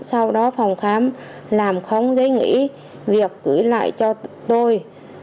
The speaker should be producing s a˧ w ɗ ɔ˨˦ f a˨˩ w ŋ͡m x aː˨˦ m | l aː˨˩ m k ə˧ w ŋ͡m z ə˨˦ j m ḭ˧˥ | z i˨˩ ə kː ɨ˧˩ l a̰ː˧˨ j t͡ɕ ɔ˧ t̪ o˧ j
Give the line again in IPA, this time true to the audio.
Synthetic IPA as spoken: s a˧ w ɗ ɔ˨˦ f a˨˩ w ŋ͡m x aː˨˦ m | l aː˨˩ m x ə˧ w ŋ͡m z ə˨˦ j ŋ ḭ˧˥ | v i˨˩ ə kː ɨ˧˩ l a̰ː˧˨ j t͡ɕ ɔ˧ t̪ o˧ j